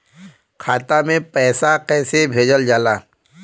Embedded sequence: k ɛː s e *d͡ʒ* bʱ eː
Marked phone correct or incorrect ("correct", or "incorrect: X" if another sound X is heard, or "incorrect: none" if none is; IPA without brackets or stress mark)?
incorrect: none